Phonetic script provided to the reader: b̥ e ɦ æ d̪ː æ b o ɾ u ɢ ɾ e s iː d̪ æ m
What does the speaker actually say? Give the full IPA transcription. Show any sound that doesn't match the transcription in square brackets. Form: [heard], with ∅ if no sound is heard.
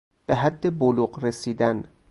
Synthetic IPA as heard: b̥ e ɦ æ d̪ː [e] b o [l] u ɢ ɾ e s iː d̪ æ [n]